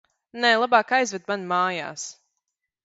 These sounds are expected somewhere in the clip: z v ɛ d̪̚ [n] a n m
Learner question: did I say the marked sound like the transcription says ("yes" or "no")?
no